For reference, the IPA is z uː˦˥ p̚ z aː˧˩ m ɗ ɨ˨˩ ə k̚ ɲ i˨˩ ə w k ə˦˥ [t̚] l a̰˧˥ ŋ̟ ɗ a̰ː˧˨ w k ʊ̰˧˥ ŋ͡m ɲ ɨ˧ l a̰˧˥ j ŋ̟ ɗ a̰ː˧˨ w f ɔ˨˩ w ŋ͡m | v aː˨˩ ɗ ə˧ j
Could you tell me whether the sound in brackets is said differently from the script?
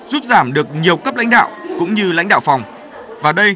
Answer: yes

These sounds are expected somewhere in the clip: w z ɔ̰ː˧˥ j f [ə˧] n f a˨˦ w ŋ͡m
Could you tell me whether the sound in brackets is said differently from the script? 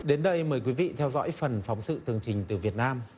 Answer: yes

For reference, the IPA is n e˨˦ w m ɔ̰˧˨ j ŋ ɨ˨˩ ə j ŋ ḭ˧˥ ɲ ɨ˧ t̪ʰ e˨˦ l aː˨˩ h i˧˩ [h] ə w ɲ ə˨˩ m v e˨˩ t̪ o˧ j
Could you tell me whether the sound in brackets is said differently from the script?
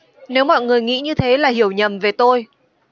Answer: yes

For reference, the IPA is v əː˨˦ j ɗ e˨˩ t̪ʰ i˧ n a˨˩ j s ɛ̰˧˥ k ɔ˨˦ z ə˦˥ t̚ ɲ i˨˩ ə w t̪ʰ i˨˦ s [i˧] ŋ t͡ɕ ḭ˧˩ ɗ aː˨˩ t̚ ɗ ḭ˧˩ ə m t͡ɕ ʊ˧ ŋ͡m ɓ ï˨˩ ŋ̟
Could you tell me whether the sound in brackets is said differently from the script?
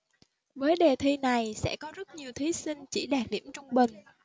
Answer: no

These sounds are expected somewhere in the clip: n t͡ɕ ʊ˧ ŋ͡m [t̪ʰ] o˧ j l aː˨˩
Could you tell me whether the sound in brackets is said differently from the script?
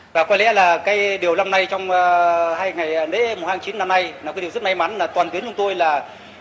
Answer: yes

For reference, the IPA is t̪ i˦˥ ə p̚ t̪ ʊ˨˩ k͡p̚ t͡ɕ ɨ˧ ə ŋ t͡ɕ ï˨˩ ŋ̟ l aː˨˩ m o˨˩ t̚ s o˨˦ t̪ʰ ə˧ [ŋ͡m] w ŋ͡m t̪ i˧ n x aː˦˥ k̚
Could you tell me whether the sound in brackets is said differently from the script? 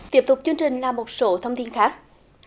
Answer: yes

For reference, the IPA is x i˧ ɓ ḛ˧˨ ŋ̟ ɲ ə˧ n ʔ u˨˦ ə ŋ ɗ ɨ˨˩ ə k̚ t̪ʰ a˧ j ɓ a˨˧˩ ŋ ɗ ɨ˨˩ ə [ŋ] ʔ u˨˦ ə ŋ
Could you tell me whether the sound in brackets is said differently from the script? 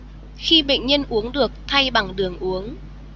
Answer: no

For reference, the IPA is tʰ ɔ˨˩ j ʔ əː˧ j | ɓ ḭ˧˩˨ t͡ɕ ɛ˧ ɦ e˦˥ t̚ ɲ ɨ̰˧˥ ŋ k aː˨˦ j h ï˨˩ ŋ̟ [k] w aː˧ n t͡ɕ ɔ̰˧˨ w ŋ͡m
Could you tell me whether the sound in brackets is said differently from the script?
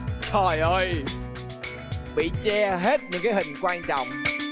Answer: no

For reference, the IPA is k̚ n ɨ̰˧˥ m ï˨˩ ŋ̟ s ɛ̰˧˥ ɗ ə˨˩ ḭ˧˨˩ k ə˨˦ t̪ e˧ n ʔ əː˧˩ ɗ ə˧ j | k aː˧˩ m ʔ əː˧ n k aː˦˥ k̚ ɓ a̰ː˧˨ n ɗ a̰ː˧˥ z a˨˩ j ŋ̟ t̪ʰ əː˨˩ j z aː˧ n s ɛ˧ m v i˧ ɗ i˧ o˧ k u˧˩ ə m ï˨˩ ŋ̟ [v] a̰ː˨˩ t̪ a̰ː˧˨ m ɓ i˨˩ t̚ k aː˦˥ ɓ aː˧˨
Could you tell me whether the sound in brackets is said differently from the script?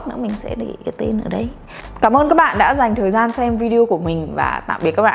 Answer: no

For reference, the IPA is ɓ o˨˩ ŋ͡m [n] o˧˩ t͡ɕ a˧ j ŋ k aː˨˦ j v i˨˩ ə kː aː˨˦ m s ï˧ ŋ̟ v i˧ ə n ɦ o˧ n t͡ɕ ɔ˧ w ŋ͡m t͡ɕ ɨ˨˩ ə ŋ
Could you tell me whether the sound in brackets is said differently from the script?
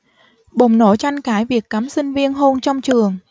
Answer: no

